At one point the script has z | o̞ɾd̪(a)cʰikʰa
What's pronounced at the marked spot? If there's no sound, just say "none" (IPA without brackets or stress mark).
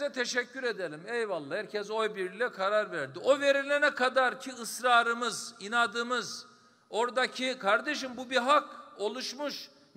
a